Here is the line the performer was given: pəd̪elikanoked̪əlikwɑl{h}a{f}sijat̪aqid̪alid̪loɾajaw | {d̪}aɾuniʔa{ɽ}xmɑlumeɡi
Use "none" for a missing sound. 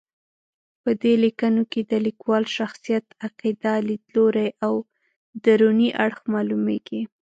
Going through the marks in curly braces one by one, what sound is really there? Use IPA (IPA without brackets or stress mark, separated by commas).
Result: ʃ, x, d̪, ɽ